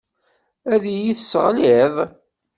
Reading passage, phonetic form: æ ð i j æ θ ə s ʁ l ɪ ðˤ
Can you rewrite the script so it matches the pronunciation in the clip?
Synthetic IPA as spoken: æ ð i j i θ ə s ʁ l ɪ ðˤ